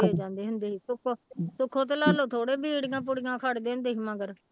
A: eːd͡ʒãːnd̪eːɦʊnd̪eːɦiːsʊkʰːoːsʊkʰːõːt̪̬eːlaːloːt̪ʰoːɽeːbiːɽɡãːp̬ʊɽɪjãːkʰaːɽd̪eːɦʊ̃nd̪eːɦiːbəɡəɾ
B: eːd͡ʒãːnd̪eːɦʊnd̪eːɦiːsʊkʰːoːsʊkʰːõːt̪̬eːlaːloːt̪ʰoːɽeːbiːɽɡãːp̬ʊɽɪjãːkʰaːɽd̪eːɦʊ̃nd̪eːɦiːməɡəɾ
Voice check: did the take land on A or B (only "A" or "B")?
B